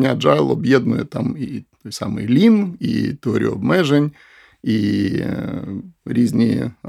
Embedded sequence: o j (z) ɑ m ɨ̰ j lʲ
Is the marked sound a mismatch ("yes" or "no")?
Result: yes